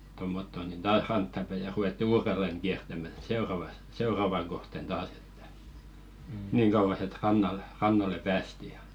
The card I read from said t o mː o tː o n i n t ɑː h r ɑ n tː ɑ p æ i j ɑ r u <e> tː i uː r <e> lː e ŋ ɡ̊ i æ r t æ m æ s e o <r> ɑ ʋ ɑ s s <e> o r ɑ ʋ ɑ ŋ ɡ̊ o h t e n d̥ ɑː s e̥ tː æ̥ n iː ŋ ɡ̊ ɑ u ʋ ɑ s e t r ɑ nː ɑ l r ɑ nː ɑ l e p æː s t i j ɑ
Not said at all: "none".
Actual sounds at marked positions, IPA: e, e, r, e

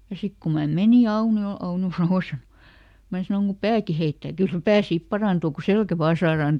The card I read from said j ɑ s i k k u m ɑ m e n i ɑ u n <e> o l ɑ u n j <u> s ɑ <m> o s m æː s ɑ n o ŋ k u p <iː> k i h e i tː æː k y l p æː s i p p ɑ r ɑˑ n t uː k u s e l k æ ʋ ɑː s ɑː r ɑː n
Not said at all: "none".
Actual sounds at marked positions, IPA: i, o, n, æː

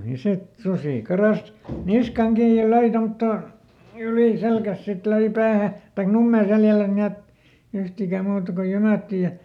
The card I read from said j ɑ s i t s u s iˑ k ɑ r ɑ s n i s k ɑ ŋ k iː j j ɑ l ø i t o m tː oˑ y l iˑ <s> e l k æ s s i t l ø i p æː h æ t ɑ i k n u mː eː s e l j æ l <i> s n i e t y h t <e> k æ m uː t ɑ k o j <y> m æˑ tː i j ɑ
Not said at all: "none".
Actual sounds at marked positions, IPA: s, æ, i, y

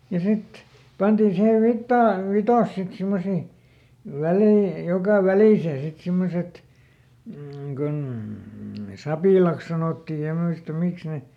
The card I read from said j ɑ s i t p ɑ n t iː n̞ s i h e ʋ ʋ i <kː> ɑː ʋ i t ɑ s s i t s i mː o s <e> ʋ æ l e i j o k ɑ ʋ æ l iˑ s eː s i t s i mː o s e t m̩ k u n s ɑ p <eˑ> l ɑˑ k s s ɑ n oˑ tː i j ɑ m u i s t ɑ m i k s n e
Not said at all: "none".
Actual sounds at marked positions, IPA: tː, i, iˑ

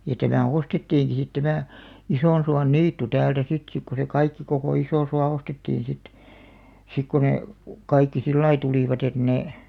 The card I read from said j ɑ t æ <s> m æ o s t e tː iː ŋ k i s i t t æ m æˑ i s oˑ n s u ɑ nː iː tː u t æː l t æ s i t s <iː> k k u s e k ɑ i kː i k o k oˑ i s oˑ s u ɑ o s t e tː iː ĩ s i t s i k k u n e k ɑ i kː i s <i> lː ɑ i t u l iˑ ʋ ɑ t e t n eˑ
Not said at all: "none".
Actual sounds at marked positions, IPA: none, i, i

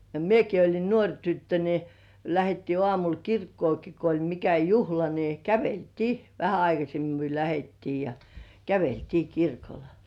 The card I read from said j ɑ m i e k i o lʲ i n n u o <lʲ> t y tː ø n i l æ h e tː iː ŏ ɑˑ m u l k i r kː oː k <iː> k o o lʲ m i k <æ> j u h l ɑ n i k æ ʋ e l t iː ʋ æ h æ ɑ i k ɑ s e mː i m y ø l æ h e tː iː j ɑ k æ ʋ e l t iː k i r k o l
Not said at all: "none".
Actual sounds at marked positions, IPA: rʲ, i, æ

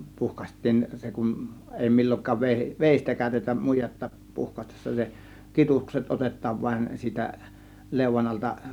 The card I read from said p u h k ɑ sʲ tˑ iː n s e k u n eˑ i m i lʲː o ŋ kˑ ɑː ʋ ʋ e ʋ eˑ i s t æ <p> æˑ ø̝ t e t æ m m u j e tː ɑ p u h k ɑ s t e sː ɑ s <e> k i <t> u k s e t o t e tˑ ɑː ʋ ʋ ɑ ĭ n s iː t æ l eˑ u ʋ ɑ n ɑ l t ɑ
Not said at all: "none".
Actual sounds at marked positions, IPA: k, e, t

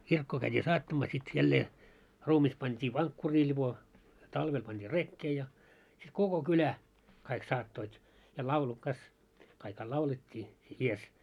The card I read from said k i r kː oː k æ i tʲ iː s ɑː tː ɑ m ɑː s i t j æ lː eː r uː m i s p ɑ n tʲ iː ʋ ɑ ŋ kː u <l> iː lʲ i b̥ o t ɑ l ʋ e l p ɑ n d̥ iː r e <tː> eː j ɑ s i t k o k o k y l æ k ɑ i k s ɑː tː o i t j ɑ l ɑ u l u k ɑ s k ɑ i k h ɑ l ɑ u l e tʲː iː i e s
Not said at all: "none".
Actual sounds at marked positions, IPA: r, kː

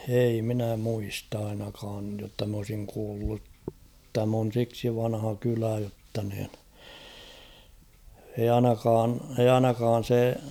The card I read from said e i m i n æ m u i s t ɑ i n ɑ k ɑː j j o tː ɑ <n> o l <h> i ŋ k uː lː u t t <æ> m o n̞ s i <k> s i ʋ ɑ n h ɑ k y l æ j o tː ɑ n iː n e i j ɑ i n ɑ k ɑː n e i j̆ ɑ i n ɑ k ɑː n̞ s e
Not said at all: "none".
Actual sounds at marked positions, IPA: m, s, æ, k

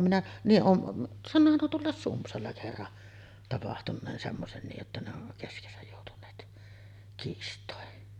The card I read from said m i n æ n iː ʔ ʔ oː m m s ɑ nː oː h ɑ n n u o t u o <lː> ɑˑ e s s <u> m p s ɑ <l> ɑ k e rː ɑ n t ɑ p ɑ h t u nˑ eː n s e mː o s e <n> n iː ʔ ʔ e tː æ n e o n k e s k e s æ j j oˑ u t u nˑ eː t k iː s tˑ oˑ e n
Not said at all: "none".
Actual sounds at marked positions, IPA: lː, u, lː, n

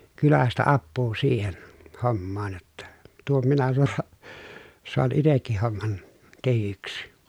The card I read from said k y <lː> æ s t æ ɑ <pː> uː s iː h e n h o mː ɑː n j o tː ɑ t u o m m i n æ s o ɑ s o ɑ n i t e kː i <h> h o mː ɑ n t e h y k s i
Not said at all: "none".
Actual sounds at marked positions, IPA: l, pː, h

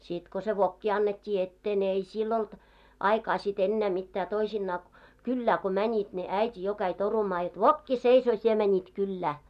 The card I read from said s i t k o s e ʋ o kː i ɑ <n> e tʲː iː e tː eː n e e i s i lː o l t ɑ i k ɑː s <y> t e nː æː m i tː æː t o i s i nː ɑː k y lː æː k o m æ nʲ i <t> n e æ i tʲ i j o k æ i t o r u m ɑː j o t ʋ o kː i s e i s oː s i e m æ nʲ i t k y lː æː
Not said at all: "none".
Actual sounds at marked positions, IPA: nː, i, t

